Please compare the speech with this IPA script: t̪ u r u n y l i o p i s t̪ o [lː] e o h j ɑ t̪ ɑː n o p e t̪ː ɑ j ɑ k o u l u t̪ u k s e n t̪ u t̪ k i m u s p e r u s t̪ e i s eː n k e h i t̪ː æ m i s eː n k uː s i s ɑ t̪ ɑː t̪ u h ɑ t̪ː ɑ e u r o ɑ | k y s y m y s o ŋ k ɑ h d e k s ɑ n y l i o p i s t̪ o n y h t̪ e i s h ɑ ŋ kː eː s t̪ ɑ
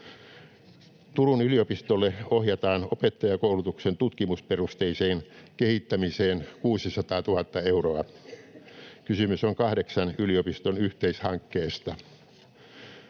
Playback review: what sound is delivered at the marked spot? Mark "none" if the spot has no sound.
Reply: lː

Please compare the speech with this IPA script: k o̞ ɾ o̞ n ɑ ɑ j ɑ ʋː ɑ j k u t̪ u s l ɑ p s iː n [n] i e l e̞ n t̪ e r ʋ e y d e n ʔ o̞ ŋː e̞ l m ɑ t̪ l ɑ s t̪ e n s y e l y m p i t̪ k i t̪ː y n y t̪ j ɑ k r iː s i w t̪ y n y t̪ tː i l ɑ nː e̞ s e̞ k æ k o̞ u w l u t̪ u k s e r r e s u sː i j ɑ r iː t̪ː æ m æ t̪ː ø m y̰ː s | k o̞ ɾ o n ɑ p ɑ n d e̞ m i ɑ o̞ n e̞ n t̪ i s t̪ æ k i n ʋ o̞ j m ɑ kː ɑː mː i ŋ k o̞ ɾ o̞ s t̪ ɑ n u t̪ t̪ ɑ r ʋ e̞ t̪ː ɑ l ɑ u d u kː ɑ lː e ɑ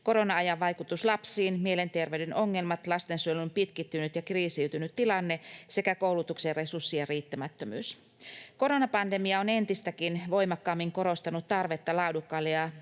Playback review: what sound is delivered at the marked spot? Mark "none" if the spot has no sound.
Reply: m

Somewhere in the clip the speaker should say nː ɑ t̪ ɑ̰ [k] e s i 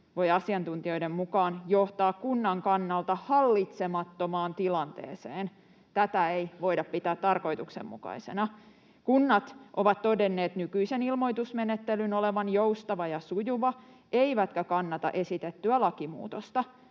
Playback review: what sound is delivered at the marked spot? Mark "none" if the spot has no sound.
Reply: ʔ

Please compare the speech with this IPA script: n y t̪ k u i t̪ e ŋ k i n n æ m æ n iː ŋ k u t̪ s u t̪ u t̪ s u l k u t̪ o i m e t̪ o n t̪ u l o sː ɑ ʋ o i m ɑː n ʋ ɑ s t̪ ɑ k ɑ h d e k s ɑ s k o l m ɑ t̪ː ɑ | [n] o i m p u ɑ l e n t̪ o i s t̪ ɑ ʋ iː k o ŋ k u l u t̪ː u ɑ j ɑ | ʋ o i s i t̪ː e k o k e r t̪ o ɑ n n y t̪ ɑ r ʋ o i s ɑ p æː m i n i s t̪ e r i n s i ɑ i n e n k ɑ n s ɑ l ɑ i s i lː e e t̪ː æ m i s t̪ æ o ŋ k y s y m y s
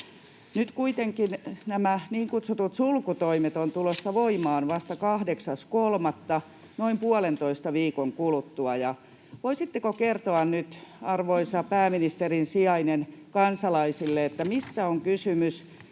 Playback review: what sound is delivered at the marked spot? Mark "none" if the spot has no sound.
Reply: n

